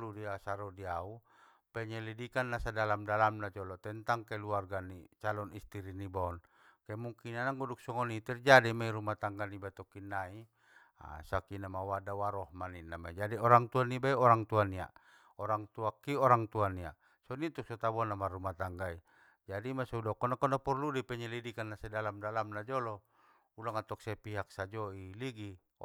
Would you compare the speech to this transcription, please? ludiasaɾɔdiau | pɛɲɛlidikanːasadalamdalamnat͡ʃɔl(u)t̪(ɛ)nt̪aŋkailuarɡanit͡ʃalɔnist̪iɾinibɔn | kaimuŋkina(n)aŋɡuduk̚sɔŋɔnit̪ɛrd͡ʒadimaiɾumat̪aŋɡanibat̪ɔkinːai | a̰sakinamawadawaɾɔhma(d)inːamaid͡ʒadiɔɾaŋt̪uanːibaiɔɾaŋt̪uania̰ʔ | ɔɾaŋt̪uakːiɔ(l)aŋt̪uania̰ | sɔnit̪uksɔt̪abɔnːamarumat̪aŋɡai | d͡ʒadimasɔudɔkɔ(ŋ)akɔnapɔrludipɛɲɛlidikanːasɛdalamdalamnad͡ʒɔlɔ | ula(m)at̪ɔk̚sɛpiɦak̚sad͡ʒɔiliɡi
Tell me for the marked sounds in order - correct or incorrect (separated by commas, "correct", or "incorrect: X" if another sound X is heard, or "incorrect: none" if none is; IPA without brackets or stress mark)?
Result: incorrect: ɔ, correct, correct, incorrect: n, incorrect: ɾ, incorrect: n, incorrect: ŋ